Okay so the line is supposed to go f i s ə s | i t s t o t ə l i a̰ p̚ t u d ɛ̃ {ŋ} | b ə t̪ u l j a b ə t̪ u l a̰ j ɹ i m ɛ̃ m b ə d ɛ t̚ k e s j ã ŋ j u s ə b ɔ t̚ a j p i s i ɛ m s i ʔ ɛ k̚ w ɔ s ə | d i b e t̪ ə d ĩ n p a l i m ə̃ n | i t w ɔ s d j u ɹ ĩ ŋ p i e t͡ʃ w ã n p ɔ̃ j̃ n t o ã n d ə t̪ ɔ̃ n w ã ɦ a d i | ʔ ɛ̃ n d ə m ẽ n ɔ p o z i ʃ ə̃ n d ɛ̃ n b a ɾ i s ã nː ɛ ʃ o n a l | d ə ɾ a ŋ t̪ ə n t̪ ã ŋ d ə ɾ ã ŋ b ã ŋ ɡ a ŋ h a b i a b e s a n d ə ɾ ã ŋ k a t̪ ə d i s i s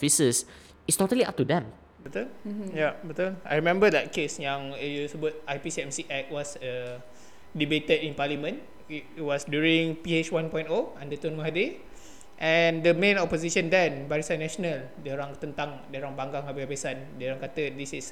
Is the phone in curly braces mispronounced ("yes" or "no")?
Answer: yes